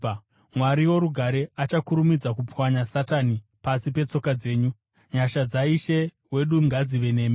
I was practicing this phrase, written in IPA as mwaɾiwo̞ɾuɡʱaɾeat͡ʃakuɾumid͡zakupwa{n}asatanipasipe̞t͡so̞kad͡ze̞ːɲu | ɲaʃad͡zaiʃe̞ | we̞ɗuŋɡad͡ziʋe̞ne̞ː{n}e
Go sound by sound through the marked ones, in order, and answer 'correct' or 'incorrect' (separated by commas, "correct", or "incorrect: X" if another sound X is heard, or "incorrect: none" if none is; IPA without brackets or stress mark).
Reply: incorrect: ɲ, incorrect: m